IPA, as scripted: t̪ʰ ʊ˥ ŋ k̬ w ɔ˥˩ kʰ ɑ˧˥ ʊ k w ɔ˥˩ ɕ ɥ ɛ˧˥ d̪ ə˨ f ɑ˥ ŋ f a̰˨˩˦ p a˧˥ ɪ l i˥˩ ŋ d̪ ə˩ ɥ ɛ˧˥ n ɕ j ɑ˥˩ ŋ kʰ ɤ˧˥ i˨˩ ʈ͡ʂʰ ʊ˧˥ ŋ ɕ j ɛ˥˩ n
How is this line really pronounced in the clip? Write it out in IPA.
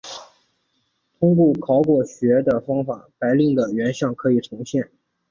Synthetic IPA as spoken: t̪ʰ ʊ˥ ŋ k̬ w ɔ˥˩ kʰ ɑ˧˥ ʊ k w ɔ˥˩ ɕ ɥ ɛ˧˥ d̪ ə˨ f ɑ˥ ŋ f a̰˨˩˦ p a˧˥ ɪ l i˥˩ ŋ d̪ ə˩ ɥ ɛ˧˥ n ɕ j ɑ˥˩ ŋ kʰ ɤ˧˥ i˨˩ ʈ͡ʂʰ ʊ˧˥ ŋ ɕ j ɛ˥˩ n